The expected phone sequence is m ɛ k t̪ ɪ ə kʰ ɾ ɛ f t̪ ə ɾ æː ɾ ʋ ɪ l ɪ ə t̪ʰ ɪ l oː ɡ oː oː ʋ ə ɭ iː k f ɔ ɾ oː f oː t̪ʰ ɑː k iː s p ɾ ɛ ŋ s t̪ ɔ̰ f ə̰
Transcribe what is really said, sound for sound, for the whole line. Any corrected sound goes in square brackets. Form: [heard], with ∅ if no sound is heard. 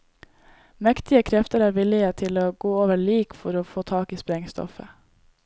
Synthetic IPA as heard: m ɛ k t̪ ɪ ə kʰ ɾ ɛ f t̪ ə ɾ æː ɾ ʋ ɪ l ɪ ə t̪ʰ ɪ l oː ɡ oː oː ʋ ə ɭ iː k f ɔ ɾ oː f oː t̪ʰ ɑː k iː s p ɾ ɛ ŋ s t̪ ɔ̰ f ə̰